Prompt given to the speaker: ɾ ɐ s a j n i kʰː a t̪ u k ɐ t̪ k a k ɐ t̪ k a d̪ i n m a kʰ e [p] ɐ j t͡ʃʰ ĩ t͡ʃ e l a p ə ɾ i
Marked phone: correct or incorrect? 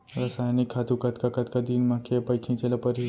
correct